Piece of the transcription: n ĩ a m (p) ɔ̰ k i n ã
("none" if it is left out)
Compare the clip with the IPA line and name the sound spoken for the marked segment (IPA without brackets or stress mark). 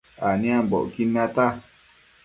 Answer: b